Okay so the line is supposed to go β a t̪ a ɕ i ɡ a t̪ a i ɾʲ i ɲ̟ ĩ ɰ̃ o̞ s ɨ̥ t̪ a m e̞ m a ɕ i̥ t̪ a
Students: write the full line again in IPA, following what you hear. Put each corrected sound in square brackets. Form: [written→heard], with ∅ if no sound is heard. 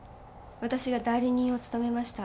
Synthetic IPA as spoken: β a t̪ a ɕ i ɡ a [t̪→d̪] a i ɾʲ i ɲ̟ ĩ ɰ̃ o̞ [s→t͡s] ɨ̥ t̪ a m e̞ m a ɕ i̥ t̪ a